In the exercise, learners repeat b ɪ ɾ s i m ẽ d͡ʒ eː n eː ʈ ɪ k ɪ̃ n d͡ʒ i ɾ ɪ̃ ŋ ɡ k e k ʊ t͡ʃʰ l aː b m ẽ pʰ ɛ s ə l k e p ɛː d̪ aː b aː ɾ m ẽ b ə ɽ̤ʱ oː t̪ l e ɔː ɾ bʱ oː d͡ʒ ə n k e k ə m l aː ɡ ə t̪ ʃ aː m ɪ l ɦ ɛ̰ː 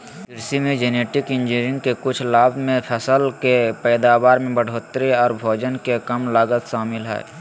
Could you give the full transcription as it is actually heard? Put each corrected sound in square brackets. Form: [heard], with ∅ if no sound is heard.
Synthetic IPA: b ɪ ɾ s i m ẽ d͡ʒ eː n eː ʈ ɪ k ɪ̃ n d͡ʒ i ɾ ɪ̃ ŋ ɡ k e k ʊ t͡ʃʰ l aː b m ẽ pʰ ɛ s ə l k e p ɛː d̪ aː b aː ɾ m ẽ b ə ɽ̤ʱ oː t̪ [ɾ] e ɔː ɾ bʱ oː d͡ʒ ə n k e k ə m l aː ɡ ə t̪ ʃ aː m ɪ l ɦ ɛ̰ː